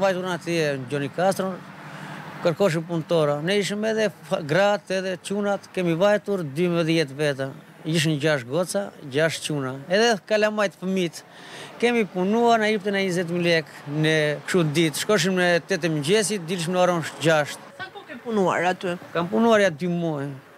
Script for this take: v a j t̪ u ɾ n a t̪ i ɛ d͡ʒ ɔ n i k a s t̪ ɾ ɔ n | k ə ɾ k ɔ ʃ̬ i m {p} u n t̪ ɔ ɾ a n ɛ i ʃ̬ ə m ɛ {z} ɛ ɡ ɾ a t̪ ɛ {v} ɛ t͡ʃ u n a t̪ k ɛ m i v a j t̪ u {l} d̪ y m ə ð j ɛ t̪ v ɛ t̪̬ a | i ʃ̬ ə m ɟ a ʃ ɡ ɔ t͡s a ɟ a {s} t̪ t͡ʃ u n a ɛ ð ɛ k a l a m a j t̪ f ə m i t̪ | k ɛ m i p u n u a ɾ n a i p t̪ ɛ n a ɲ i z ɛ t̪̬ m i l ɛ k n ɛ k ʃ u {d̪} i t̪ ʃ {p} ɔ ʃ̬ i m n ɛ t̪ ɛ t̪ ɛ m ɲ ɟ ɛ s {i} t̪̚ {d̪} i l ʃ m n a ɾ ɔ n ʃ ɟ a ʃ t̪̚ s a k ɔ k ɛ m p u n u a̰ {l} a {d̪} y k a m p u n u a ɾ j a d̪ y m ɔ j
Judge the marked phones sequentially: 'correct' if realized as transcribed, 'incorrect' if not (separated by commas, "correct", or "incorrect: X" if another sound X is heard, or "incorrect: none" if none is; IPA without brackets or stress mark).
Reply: correct, incorrect: ð, incorrect: ð, incorrect: ɾ, incorrect: ʃ, correct, incorrect: k, correct, correct, incorrect: ɾ, incorrect: t̪